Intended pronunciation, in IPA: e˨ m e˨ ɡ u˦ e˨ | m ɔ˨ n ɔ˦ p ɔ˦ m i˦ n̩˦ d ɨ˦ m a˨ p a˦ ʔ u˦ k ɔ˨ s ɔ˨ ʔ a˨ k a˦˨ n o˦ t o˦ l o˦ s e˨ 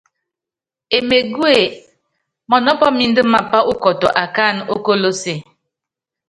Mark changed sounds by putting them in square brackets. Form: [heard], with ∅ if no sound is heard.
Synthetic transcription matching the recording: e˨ m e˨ ɡ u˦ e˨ | m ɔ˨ n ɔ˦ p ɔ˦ m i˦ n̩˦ d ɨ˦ m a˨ p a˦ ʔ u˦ k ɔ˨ [t] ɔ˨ ʔ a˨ k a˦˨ n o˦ [k] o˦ l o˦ s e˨